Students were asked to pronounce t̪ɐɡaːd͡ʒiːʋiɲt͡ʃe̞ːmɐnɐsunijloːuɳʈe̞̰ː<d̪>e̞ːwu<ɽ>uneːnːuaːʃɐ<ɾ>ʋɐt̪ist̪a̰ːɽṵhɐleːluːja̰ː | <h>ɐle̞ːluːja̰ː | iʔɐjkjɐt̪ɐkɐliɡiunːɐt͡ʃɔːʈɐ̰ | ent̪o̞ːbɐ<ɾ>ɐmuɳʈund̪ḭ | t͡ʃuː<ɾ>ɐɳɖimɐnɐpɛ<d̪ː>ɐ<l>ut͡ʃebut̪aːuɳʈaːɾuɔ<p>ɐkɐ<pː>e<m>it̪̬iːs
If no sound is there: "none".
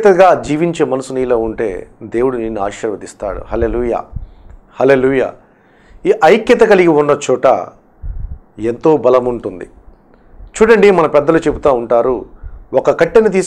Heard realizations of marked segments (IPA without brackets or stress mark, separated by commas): d̪, ɽ, ɾ, h, l, ɽ, d̪ː, l, k, ʈː, n